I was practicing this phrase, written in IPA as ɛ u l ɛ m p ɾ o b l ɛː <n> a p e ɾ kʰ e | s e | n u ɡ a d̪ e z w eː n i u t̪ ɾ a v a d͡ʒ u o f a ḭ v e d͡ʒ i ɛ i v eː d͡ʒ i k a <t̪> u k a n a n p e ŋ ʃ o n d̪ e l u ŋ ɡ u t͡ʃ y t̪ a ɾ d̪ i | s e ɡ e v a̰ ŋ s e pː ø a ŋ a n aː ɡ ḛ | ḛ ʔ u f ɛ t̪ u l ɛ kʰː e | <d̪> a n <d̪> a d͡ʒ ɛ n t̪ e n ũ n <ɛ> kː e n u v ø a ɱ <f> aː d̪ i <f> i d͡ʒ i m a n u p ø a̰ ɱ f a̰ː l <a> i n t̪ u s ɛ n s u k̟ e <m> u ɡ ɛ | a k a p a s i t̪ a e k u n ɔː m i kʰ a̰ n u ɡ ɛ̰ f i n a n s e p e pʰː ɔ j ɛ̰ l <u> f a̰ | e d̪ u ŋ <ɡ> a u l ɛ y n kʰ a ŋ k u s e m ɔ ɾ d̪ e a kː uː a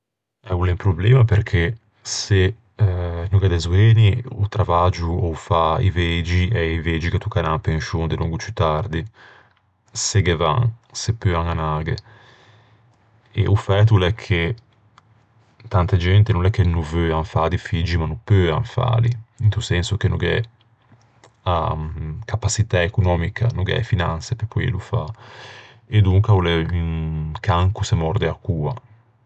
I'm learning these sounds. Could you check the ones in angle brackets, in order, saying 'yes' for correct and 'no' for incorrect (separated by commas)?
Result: no, yes, no, no, yes, yes, yes, no, no, yes, no